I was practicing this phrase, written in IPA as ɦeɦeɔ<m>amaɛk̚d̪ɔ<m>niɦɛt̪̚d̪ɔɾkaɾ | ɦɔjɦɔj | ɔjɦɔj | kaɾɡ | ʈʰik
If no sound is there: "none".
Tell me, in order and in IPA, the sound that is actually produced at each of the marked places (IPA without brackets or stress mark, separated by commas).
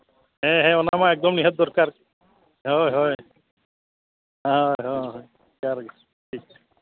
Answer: n, m